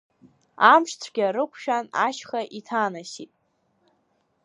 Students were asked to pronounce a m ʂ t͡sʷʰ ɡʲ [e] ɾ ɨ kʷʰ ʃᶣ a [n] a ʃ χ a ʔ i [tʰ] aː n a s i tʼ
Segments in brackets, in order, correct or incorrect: incorrect, correct, correct

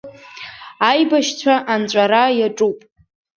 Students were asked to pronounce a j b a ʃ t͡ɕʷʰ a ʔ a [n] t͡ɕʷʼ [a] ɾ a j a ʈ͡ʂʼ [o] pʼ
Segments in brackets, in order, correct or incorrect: correct, correct, incorrect

